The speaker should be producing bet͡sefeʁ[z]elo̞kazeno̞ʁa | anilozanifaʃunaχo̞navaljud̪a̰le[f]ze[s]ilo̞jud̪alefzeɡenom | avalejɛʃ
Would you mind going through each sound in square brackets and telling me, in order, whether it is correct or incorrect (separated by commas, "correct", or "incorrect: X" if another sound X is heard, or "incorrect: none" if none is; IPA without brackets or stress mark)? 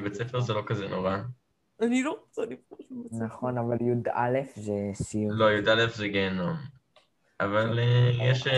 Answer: correct, correct, correct